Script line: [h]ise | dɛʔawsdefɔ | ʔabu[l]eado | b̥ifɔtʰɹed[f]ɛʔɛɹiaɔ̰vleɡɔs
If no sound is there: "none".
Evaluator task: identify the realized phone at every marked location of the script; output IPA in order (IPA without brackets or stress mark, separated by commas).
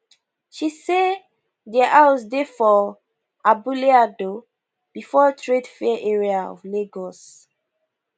ʃ, l, f